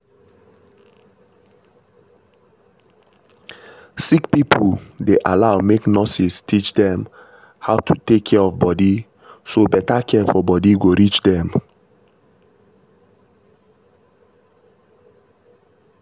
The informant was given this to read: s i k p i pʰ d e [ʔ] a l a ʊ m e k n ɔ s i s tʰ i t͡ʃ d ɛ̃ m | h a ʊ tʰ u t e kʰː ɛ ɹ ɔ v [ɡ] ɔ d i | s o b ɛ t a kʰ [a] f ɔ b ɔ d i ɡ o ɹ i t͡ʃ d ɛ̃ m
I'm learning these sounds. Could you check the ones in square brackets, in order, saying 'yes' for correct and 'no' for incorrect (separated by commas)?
yes, no, no